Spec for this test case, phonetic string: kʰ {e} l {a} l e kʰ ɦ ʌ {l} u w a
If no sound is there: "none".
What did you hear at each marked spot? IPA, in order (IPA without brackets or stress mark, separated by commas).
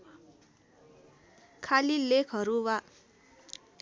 a, i, ɾ